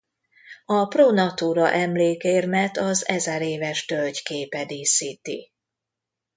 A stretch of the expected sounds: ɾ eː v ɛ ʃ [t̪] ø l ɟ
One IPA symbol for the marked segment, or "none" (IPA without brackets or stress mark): t̪